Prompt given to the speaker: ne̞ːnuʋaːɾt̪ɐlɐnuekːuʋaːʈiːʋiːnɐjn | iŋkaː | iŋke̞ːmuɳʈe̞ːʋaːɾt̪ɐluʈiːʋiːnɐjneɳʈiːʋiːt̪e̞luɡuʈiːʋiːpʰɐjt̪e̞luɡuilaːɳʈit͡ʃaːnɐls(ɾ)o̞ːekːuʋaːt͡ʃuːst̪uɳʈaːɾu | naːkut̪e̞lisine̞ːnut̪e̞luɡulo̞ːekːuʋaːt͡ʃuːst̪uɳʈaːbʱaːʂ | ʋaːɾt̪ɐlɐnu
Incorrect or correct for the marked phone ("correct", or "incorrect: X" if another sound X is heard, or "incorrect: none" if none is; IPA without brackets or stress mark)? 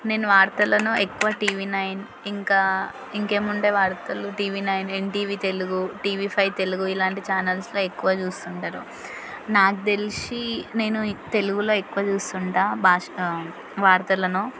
incorrect: l